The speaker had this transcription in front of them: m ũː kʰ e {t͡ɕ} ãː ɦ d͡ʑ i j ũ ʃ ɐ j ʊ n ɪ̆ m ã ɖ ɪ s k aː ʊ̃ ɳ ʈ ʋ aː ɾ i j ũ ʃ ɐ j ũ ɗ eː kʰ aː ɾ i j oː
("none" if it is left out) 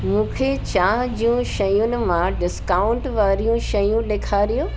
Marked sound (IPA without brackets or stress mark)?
t͡ɕ